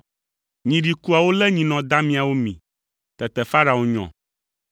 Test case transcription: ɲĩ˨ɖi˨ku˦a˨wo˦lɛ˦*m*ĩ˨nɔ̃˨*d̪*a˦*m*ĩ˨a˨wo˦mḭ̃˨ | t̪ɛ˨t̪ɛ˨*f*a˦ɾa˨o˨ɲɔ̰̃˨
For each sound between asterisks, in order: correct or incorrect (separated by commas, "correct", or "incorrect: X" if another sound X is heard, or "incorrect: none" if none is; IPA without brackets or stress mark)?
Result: incorrect: ɲ, correct, correct, correct